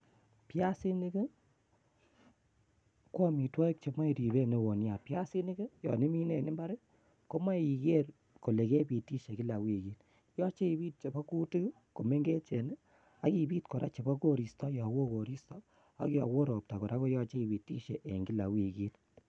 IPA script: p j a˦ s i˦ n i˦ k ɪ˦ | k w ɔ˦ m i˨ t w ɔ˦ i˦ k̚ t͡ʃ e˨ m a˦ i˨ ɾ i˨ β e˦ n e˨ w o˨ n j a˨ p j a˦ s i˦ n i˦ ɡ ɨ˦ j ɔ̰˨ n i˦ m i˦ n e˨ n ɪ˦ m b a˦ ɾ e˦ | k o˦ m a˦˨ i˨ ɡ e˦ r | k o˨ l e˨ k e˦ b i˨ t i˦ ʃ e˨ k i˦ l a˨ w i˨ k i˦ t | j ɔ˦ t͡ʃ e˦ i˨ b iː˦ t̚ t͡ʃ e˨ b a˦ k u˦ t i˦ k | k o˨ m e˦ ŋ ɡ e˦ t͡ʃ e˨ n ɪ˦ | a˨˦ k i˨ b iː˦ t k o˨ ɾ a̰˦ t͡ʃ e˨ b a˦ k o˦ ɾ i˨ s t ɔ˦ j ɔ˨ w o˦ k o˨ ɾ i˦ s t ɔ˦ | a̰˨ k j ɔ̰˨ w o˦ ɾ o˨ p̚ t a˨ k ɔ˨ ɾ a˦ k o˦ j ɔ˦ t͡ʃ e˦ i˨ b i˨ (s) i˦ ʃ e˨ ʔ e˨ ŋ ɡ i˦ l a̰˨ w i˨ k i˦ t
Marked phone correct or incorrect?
incorrect